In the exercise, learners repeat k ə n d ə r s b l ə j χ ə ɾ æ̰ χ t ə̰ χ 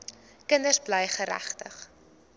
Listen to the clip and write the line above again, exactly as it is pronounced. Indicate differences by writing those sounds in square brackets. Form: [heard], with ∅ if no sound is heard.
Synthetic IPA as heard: k ə n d ə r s b l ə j χ ə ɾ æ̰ χ t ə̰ χ